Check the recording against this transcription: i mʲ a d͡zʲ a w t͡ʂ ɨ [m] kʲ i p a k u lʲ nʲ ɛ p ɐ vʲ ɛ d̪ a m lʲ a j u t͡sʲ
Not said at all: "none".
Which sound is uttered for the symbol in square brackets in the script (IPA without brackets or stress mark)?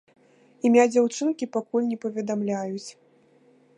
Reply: n